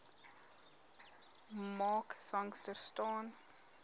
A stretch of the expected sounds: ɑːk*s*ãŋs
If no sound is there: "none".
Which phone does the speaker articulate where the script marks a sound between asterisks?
s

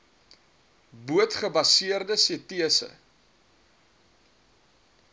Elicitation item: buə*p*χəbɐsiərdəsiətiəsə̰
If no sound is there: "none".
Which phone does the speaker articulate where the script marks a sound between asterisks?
t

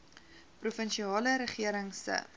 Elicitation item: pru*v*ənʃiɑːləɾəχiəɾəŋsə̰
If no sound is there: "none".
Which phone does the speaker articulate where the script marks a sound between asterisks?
f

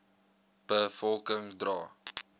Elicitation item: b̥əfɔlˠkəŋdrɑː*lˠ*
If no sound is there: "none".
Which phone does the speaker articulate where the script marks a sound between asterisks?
none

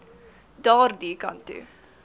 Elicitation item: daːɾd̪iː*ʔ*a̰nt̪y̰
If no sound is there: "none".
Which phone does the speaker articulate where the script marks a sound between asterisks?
k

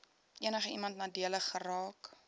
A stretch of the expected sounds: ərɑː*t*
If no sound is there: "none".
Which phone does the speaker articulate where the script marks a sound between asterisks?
k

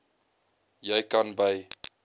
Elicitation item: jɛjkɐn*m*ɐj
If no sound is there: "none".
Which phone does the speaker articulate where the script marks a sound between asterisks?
b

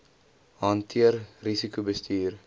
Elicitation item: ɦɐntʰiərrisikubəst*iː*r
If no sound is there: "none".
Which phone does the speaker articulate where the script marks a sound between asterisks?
iː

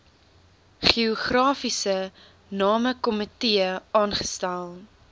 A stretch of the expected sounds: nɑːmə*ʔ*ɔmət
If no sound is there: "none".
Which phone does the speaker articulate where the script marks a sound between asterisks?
k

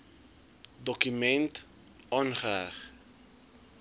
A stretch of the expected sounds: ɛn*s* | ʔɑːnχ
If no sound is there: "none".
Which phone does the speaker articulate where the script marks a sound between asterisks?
t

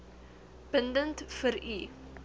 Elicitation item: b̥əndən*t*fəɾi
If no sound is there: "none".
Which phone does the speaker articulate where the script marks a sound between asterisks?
t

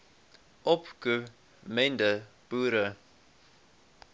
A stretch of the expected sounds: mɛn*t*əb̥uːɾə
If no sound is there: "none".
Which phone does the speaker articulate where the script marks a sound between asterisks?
d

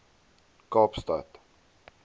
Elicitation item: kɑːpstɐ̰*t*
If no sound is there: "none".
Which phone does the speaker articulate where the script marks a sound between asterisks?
t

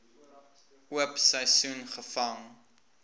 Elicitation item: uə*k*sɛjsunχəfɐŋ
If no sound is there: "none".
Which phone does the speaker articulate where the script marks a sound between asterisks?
p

